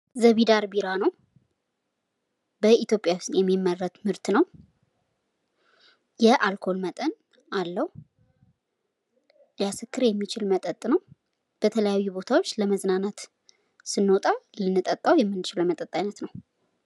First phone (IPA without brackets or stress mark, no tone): z